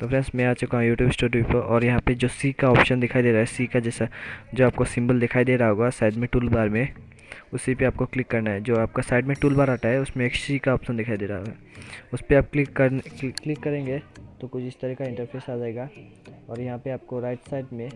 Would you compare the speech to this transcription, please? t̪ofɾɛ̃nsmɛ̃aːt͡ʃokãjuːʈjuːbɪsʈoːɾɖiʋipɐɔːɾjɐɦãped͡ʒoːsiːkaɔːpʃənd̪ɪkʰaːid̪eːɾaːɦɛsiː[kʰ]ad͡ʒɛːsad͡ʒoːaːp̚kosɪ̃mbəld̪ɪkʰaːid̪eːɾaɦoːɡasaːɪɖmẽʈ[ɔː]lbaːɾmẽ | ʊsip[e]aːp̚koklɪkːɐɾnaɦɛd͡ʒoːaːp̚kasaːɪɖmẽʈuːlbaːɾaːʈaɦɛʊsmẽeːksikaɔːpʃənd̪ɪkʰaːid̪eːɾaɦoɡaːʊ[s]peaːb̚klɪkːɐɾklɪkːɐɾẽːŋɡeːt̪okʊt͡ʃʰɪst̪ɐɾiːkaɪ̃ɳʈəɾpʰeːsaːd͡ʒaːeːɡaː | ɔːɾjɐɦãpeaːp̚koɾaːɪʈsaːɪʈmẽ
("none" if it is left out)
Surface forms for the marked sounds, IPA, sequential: k, uː, e, s

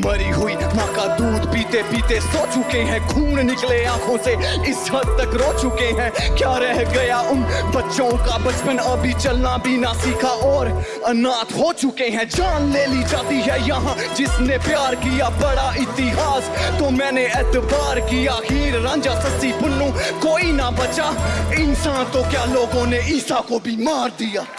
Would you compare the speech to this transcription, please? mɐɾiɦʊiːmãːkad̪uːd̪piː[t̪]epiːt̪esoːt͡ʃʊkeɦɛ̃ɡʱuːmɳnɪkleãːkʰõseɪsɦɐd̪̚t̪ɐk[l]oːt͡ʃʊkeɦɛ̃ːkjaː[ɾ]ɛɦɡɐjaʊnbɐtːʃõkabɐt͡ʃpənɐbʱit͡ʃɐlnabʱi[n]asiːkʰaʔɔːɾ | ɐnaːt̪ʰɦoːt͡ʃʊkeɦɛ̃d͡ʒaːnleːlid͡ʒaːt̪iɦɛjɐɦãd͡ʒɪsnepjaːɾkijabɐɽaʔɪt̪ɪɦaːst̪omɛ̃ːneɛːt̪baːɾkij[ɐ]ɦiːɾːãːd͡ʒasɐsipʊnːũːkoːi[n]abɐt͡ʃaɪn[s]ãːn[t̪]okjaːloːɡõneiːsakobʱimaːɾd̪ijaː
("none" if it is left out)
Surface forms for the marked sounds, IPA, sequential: t̪, ɾ, ɾ, n, a, n, s, t̪

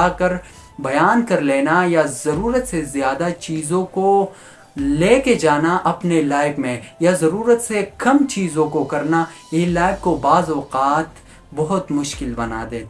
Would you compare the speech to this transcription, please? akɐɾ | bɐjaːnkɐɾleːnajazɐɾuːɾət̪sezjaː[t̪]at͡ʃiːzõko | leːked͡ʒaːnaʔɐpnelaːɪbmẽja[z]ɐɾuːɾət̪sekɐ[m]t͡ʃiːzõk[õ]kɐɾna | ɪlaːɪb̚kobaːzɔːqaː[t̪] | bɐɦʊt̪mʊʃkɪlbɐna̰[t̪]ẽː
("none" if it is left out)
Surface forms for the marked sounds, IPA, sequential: d̪, z, m, o, t̪, d̪

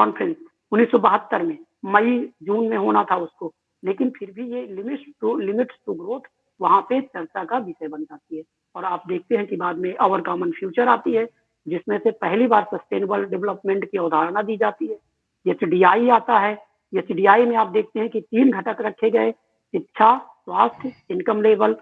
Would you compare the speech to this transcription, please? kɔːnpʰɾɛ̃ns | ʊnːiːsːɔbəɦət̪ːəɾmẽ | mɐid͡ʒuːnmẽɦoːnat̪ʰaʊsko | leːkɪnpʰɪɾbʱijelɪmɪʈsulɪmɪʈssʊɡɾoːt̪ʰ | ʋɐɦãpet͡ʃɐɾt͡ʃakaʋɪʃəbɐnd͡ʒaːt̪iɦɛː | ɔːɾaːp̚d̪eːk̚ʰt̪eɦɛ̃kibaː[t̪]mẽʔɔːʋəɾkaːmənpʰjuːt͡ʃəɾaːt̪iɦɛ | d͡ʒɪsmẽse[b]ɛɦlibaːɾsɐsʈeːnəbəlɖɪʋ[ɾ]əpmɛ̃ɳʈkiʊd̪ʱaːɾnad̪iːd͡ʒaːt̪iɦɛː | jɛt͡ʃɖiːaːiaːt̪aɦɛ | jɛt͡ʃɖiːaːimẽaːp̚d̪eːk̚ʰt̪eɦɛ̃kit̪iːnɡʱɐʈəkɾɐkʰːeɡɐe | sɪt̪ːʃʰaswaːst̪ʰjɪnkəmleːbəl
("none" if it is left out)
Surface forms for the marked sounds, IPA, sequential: d̪, p, l

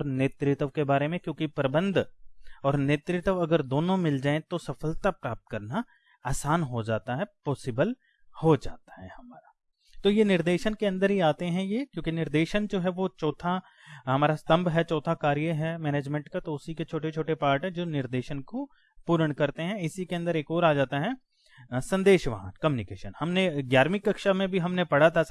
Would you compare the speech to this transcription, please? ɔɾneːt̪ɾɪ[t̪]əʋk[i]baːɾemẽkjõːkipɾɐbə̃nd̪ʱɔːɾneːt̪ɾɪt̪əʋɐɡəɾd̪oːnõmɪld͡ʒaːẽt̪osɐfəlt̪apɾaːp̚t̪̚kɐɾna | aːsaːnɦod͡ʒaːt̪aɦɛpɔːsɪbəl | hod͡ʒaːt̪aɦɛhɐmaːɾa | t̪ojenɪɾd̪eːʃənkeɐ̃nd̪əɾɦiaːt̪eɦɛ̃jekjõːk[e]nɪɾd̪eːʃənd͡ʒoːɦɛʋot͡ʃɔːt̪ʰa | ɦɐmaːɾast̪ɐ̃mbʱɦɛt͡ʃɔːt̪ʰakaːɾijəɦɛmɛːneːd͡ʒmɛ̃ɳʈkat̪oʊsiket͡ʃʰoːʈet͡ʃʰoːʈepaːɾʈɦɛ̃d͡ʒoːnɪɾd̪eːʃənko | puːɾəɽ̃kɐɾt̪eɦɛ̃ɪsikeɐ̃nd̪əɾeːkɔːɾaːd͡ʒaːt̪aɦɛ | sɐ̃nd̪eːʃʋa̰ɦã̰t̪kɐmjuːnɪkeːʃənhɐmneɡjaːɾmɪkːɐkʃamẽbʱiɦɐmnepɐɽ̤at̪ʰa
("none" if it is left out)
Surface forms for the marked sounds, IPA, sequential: t̪, e, i

